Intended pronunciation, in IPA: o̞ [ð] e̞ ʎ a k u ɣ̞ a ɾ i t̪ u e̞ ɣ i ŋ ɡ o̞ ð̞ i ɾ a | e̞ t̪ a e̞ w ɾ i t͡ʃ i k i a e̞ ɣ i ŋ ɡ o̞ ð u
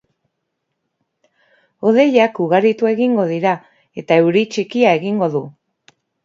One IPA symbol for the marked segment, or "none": ð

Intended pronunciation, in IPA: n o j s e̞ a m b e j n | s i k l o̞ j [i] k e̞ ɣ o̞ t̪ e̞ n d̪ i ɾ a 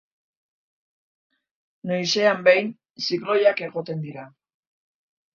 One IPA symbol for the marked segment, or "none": a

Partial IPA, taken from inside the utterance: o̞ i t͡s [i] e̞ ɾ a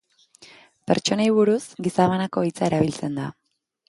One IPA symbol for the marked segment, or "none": a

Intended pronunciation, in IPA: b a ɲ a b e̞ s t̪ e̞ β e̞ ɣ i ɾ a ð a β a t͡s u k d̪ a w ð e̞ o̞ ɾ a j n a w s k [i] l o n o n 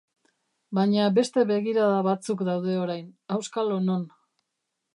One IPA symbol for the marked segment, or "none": a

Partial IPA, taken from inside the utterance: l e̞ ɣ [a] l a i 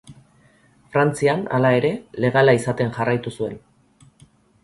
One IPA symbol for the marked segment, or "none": a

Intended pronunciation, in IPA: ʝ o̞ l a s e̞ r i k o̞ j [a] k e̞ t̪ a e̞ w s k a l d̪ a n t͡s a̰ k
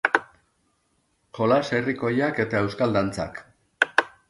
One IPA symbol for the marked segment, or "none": a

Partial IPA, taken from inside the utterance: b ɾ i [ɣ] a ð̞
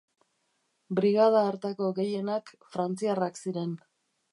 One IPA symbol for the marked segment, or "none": ɣ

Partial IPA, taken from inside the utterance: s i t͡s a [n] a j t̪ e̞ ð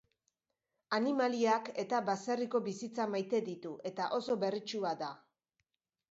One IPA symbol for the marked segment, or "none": m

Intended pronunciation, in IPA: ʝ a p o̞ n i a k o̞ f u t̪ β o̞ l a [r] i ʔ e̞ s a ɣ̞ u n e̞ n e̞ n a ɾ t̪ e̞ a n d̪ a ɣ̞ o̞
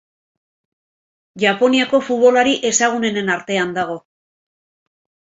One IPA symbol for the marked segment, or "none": ɾ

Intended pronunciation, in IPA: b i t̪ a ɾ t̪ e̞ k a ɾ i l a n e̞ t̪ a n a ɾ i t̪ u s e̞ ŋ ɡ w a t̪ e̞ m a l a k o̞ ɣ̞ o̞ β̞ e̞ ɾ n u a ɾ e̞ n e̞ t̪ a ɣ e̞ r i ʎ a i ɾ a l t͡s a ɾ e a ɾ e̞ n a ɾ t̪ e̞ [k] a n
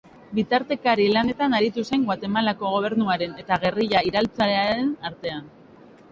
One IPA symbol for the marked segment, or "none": none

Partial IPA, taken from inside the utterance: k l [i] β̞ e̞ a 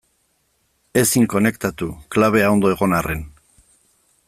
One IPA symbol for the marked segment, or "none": a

